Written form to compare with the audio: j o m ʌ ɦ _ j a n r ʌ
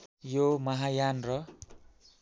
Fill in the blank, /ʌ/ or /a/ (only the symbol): a